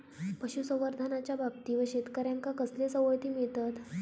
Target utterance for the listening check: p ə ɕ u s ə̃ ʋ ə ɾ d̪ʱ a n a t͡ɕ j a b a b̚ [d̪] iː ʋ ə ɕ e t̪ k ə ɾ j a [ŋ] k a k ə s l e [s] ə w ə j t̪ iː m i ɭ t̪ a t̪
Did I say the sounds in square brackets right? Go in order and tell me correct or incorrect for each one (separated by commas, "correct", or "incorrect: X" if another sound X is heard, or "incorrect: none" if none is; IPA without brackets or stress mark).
incorrect: t̪, correct, correct